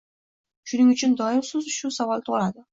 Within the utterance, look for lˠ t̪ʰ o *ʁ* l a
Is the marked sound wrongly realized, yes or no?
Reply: no